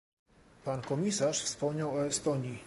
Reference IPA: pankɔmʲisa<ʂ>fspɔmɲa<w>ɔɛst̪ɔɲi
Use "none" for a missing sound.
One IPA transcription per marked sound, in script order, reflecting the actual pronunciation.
ʂ, w

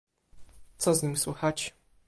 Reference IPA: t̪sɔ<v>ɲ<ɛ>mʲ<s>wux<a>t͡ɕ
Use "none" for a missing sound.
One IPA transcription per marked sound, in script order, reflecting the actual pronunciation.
z, i, s, a

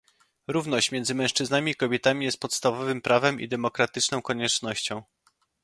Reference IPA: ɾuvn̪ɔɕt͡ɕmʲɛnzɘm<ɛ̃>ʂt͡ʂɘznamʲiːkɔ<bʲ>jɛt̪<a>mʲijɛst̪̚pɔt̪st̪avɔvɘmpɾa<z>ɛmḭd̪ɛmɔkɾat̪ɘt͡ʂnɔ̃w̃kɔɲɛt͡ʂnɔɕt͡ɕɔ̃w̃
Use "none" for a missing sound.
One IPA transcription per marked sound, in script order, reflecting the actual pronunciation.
ɛ̃, bʲ, a, v

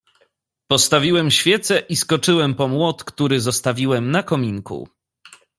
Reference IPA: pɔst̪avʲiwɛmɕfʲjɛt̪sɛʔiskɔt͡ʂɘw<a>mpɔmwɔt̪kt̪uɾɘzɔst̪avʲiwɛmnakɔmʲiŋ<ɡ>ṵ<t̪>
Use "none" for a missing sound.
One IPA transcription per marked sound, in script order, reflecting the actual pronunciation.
ɛ, k, none

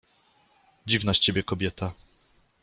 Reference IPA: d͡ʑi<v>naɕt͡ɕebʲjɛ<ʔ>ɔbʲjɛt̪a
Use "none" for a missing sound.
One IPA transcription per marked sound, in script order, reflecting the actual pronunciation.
v, k

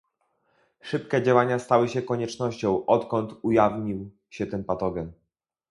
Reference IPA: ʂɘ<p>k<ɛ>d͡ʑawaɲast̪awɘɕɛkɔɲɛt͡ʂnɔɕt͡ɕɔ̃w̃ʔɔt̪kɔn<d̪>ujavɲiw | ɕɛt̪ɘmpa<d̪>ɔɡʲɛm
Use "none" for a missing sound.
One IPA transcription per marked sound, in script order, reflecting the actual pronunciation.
p, ɛ, t̪, t̪

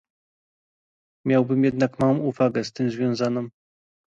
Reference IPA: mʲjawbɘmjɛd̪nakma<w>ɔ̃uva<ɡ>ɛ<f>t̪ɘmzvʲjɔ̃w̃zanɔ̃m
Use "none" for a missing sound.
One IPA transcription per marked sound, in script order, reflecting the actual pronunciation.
w, ɡ, s

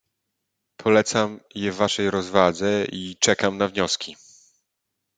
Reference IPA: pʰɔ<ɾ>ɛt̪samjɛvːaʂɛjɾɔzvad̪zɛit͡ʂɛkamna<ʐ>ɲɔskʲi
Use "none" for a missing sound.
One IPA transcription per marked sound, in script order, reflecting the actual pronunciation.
l, v

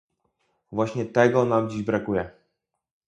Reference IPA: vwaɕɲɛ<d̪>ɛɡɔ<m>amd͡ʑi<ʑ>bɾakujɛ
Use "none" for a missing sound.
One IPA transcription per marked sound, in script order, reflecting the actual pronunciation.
t̪, n, ʑ

